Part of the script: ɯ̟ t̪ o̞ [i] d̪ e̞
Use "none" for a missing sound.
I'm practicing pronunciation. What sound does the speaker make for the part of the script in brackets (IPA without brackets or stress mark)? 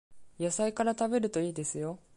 iː